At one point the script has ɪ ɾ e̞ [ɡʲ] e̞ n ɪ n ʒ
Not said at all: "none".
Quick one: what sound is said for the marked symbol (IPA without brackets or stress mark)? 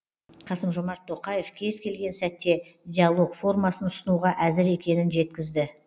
kʲ